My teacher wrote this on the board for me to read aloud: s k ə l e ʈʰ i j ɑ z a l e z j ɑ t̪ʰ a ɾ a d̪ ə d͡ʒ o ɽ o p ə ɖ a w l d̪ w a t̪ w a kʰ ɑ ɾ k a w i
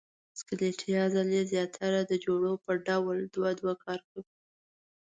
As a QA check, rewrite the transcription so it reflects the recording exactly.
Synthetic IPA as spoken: s k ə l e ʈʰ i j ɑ z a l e z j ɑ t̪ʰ a ɾ a d̪ ə d͡ʒ o ɽ o p ə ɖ a w l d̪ w a d̪ w a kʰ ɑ ɾ k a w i